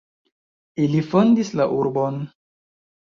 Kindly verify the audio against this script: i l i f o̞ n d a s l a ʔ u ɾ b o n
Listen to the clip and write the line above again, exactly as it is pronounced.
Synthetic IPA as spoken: i l i f o̞ n d i s l a ʔ u ɾ b o n